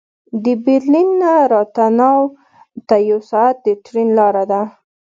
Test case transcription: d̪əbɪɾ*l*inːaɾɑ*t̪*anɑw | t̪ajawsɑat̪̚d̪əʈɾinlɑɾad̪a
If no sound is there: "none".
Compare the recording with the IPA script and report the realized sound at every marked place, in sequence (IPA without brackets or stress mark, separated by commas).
l, t̪